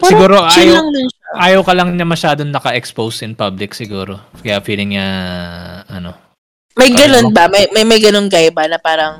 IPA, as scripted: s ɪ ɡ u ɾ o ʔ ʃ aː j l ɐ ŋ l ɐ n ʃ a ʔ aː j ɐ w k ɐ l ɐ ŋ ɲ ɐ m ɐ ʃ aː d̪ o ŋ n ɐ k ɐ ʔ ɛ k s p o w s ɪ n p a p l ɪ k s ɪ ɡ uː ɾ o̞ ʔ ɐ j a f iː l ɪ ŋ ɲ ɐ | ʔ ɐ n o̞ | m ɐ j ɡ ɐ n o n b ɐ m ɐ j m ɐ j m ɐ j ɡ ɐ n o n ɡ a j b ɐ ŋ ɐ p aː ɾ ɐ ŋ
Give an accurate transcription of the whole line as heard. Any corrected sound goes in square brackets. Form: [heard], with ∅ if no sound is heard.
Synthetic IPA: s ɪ ɡ [uː] ɾ o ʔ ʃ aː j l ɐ ŋ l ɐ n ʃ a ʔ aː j ɐ w k ɐ l ɐ ŋ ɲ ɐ m ɐ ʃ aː d̪ o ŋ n ɐ k ɐ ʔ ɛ k s p o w s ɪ n p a [b] l ɪ k s ɪ ɡ uː ɾ o̞ [k] ɐ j a f iː l ɪ ŋ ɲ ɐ | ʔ ɐ n o̞ | m ɐ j ɡ ɐ n o n b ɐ m ɐ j m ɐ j m ɐ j ɡ ɐ n o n ɡ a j b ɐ [n] ɐ p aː ɾ ɐ ŋ